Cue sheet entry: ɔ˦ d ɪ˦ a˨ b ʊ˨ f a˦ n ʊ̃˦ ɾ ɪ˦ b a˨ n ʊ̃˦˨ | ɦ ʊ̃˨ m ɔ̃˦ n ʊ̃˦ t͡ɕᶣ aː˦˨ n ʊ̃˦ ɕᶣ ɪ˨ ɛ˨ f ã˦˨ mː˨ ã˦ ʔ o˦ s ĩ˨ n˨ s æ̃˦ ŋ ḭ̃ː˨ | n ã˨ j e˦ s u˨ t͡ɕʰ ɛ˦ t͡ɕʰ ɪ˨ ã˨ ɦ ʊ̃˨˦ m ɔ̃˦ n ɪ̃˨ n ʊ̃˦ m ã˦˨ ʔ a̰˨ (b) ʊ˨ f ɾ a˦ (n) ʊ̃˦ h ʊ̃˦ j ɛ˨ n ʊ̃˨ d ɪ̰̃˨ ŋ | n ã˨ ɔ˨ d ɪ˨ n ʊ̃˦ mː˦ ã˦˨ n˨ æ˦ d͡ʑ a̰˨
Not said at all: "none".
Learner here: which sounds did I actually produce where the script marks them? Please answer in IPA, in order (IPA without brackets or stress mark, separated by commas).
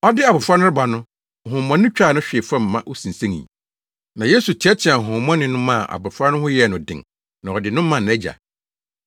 b, n